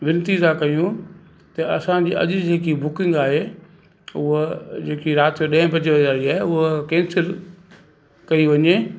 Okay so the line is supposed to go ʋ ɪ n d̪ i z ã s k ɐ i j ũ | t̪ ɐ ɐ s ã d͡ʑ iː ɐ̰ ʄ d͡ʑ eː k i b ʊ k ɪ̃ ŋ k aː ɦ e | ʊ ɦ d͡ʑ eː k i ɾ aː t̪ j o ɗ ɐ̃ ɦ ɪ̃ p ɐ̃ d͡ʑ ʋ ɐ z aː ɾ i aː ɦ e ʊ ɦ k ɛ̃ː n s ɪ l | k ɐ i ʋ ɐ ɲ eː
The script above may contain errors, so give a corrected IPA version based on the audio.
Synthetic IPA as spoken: ʋ ɪ n t̪ i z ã k ɐ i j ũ | t̪ ɐ ɐ s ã d͡ʑ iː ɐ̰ ʄ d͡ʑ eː k i b ʊ k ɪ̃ ŋ ɡ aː ɦ e | ʊ ɦ d͡ʑ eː k i ɾ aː t̪ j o ɗ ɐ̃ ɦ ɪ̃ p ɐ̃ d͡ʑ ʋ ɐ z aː ɾ i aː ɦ e ʊ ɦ k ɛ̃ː n s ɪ l | k ɐ i ʋ ɐ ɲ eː